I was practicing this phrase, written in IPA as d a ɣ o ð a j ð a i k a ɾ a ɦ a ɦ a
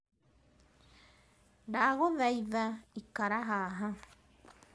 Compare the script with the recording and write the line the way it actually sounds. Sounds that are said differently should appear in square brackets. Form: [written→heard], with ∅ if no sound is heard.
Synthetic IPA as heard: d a ɣ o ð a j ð a i k a ɾ a ɦ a ɦ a